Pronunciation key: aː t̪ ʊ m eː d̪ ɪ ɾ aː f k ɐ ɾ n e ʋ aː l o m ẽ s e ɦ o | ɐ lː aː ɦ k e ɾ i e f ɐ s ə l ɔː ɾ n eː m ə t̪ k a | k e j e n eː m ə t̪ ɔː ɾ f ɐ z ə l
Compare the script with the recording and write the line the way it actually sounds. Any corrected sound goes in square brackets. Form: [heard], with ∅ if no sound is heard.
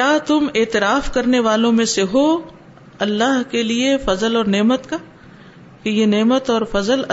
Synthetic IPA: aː t̪ ʊ m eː [t̪] ɪ ɾ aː f k ɐ ɾ n e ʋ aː l [õ] m ẽ s e ɦ o | ɐ lː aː ɦ k e [l] i e f ɐ [z] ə l ɔː ɾ n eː m ə t̪ k a | k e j e n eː m ə t̪ ɔː ɾ f ɐ z ə l